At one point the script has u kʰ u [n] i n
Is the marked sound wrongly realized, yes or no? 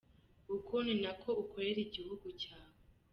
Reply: no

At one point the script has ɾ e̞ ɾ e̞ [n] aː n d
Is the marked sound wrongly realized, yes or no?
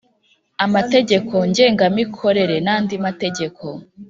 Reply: no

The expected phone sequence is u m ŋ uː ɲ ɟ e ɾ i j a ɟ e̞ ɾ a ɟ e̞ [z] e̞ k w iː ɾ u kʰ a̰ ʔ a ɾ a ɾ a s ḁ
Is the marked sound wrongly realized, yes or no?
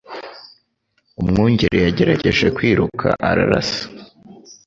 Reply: yes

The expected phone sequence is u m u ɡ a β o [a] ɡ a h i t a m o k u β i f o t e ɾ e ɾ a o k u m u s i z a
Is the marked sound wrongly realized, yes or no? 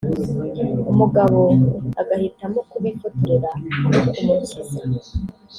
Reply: no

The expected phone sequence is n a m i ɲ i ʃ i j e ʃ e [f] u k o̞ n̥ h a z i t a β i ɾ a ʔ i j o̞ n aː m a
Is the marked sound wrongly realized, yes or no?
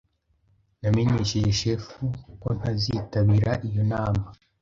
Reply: no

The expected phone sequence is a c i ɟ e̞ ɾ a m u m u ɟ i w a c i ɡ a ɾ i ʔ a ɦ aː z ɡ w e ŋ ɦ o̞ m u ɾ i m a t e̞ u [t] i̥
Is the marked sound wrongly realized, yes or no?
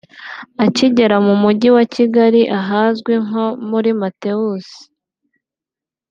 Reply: yes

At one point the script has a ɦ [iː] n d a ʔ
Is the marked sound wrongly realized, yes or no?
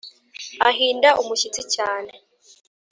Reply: no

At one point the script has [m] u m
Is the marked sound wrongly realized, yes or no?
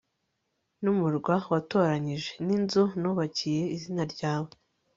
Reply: yes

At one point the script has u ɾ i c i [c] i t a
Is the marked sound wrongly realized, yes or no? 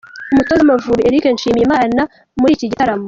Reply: yes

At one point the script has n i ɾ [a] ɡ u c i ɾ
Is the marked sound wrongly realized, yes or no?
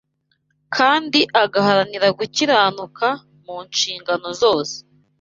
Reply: no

